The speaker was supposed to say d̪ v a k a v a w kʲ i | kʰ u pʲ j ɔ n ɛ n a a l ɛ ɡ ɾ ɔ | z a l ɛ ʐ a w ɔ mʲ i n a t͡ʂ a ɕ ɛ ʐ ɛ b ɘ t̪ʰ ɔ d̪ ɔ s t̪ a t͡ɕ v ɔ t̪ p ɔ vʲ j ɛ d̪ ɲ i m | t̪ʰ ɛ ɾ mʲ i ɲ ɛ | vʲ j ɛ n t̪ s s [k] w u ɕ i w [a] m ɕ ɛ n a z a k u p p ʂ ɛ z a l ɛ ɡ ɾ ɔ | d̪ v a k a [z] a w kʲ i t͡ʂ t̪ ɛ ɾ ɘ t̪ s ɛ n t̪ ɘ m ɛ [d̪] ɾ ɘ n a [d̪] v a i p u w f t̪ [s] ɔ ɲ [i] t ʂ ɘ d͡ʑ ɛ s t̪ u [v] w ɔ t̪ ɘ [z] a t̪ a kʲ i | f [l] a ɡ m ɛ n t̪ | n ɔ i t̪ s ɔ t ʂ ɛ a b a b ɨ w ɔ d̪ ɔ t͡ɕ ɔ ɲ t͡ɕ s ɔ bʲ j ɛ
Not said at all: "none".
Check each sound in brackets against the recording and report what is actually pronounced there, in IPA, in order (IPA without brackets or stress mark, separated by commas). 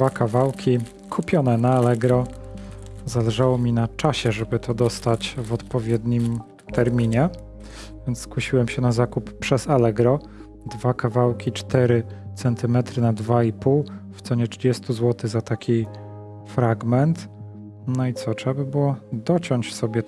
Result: k, ɛ, v, t̪, d̪, s, ɛ, z, z, ɾ